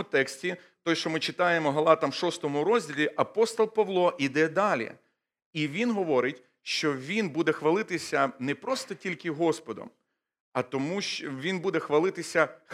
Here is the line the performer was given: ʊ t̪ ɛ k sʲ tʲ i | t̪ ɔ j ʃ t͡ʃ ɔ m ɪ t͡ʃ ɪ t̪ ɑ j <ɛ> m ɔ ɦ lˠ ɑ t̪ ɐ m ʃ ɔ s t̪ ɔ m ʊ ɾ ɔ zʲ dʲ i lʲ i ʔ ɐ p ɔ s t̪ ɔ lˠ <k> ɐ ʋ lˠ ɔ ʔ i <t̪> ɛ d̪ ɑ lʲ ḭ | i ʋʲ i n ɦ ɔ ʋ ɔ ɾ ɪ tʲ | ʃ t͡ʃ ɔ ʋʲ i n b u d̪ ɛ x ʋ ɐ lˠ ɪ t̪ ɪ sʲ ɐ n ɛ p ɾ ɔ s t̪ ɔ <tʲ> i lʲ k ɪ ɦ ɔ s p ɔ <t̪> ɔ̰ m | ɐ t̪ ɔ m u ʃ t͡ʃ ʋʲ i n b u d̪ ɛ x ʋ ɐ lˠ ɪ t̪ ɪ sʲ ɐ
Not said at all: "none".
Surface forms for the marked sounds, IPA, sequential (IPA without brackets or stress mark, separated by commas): e, p, d̪, tʲ, d̪